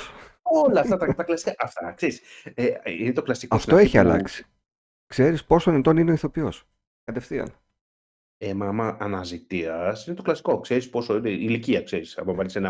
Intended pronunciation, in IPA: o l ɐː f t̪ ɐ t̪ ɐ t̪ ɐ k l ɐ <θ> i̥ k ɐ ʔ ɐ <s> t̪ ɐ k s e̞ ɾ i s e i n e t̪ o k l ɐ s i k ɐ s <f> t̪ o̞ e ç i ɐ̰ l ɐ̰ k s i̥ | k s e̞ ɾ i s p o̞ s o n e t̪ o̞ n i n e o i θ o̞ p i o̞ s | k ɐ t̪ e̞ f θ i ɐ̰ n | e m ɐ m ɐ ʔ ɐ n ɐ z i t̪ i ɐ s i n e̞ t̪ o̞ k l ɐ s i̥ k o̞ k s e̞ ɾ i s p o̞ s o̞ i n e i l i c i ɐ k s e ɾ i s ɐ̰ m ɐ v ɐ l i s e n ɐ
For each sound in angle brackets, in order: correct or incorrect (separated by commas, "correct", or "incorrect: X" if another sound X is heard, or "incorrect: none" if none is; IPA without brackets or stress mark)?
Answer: incorrect: s, incorrect: f, correct